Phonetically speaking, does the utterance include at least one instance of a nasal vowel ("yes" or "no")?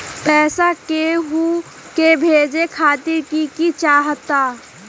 no